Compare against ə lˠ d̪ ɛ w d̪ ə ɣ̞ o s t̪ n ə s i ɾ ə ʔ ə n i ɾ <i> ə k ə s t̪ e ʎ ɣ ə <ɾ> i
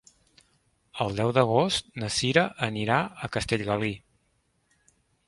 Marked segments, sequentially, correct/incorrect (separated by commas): incorrect, incorrect